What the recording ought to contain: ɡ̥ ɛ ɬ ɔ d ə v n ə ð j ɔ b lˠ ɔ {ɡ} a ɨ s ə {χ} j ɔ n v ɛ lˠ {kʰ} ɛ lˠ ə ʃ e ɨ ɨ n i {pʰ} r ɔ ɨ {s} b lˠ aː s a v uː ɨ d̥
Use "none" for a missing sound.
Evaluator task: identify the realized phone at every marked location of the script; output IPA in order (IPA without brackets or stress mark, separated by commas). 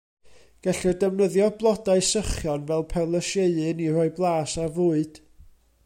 d, χ, pʰ, none, none